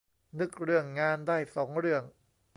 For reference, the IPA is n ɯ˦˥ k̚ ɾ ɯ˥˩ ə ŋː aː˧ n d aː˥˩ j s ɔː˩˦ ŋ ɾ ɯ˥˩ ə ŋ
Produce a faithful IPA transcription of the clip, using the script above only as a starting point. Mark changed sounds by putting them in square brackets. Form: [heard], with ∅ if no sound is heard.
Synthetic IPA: n ɯ˦˥ k̚ ɾ ɯ˥˩ ə ŋː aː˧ n d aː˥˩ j s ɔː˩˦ ŋ ɾ ɯ˥˩ ə ŋ